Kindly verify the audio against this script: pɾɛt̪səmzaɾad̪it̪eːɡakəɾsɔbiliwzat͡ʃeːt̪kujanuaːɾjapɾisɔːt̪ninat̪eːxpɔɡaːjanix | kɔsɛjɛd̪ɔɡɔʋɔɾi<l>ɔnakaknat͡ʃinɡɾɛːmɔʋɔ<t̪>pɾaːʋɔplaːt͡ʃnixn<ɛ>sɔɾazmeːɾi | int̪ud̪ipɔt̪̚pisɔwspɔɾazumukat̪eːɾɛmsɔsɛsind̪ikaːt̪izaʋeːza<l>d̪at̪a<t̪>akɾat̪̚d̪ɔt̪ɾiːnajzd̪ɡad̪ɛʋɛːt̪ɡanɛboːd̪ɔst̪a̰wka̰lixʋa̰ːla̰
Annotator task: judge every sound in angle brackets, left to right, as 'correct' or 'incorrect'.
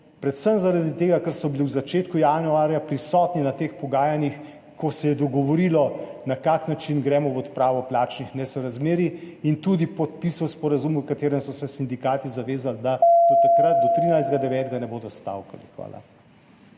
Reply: correct, correct, correct, correct, correct

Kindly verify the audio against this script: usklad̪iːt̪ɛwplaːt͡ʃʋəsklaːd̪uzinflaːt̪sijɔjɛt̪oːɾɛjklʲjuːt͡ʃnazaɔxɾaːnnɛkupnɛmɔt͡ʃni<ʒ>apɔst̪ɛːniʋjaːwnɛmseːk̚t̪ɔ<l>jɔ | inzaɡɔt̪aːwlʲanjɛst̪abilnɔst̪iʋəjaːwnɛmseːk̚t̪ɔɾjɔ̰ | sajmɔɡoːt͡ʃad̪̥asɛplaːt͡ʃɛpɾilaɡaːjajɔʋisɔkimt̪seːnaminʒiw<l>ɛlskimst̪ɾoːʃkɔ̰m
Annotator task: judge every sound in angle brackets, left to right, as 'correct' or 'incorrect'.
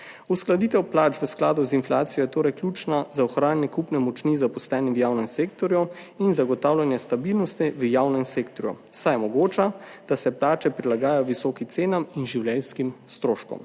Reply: incorrect, incorrect, correct

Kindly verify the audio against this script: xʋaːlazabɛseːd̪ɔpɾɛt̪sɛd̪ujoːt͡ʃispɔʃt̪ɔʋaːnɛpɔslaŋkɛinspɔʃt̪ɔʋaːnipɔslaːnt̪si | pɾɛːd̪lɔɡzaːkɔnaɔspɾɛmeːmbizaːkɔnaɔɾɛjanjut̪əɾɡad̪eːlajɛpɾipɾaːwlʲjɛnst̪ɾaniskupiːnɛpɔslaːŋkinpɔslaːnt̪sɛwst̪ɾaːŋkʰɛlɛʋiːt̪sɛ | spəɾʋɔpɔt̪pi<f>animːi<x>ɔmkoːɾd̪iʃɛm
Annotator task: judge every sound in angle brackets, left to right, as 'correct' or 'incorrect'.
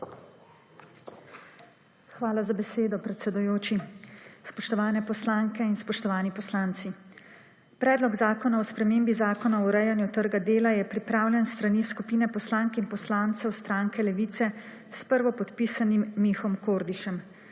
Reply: incorrect, correct

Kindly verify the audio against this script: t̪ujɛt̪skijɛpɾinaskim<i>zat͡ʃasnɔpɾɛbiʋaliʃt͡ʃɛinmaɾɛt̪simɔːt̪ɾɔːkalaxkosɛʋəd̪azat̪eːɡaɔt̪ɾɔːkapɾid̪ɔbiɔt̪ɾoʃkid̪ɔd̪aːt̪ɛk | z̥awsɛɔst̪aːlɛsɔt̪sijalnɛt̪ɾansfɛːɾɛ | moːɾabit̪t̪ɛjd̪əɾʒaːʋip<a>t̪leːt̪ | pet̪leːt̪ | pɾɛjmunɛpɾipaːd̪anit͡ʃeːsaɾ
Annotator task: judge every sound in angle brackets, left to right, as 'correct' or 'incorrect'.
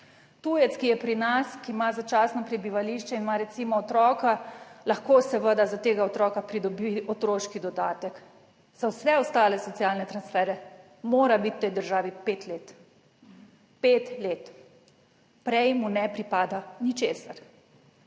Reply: incorrect, incorrect

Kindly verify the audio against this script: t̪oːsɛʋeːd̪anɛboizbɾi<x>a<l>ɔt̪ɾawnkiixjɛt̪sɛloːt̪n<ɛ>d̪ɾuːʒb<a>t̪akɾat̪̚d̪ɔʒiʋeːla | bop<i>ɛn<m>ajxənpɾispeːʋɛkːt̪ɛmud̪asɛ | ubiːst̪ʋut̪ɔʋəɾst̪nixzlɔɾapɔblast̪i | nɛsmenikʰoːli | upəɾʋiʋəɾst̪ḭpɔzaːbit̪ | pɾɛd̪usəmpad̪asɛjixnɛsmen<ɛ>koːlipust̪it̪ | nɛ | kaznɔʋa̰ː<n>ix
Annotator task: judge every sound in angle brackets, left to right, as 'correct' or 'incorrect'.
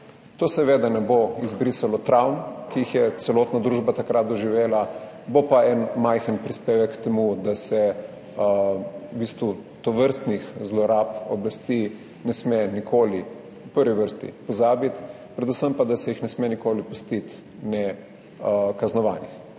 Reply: incorrect, correct, incorrect, correct, incorrect, correct, incorrect, correct

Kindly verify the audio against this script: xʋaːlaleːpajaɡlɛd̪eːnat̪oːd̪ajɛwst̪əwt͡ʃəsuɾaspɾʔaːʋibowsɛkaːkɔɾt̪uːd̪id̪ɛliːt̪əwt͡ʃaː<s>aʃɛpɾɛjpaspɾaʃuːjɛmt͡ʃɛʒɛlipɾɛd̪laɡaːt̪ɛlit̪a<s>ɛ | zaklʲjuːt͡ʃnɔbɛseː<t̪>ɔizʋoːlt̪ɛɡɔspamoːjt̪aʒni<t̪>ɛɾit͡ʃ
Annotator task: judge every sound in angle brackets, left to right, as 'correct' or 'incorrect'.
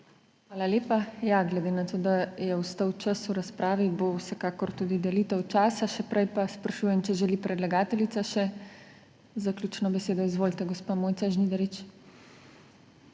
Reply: correct, incorrect, incorrect, incorrect

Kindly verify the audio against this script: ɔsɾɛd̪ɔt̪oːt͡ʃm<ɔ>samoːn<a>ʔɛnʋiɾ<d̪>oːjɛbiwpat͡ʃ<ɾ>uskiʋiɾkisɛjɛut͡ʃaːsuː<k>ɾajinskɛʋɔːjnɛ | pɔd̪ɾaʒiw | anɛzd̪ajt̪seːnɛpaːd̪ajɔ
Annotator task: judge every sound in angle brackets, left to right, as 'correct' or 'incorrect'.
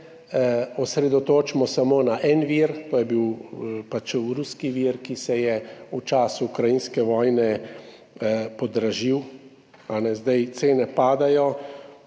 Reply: correct, correct, incorrect, correct, correct

